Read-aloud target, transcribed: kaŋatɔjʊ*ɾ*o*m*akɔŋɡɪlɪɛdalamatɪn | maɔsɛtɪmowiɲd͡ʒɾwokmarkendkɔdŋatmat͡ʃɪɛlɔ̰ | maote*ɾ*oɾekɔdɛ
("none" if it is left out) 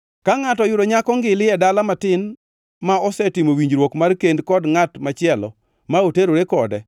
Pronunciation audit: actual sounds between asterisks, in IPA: ɾ, ɲ, ɾ

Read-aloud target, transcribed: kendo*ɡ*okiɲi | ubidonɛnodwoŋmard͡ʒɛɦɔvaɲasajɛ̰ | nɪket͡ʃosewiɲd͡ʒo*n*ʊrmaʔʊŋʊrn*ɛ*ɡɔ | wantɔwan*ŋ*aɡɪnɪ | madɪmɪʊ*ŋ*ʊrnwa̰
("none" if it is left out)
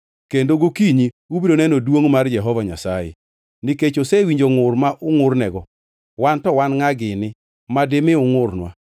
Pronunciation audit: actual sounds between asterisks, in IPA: ɡ, ŋ, ɛ, ŋ, ŋ

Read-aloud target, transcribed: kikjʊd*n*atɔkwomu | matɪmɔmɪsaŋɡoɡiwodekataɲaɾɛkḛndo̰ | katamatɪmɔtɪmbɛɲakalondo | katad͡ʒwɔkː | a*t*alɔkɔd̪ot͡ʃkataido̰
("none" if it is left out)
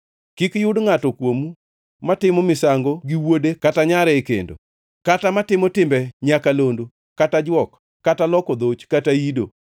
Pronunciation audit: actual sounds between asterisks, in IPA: ŋ, t

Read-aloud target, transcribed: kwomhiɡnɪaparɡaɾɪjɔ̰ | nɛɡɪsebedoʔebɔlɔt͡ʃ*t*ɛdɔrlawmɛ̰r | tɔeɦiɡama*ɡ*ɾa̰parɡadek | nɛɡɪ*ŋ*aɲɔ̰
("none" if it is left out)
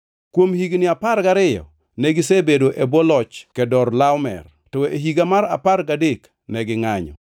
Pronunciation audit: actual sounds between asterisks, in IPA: k, none, ŋ

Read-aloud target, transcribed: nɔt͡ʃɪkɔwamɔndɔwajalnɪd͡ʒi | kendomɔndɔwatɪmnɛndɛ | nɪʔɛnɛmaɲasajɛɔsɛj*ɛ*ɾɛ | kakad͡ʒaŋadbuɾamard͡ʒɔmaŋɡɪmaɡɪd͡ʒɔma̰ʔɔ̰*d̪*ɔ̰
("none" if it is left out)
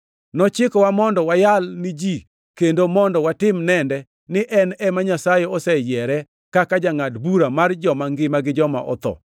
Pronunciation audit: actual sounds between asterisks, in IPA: ɛ, t̪

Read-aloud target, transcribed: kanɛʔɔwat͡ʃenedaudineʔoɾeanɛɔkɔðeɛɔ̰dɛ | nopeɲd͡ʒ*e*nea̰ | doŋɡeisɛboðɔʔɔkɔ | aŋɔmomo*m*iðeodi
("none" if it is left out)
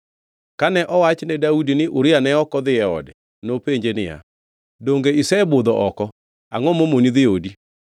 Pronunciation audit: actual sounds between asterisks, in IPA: e, n

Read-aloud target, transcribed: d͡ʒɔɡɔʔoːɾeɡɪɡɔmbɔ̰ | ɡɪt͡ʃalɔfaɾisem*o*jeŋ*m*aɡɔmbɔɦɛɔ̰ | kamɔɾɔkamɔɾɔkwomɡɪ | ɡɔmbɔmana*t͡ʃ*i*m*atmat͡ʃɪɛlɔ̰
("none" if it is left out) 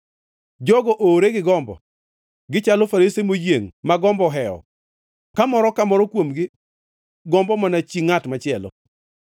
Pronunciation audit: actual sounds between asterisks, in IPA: o, m, t͡ʃ, ŋ

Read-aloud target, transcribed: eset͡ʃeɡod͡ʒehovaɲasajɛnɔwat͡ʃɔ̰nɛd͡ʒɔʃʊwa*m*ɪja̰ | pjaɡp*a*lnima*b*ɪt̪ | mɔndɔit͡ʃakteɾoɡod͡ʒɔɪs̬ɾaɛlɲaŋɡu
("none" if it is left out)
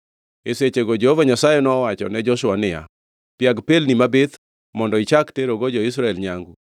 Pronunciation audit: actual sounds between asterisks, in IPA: n, e, b

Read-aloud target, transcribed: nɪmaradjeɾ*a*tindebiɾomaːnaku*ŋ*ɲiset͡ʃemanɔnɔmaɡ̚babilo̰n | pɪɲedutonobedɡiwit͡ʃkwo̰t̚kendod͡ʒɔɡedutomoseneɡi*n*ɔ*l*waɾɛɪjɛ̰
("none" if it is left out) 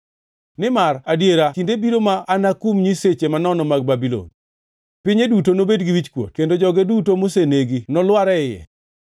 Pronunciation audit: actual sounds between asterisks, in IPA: a, m, n, l

